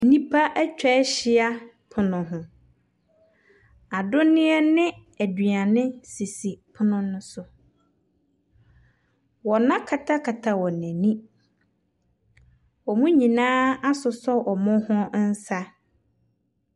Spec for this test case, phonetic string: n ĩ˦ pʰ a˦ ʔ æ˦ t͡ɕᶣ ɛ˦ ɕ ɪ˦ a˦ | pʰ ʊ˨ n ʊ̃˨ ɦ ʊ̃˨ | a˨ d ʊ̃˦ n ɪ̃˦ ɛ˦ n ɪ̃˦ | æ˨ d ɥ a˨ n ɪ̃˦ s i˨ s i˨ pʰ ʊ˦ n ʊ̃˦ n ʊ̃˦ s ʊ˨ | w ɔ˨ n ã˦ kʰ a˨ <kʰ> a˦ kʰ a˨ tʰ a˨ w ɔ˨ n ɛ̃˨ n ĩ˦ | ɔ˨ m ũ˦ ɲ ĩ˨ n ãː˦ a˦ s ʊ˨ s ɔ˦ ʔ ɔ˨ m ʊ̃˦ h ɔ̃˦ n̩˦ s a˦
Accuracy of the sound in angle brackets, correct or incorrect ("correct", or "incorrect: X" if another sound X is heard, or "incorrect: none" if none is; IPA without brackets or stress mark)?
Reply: incorrect: tʰ